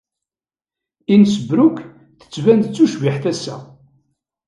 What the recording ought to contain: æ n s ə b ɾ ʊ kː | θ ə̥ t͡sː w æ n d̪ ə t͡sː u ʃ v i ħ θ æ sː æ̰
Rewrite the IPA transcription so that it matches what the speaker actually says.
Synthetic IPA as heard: i n s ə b ɾ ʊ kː | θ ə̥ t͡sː v æ n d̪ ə t͡sː u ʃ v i ħ θ æ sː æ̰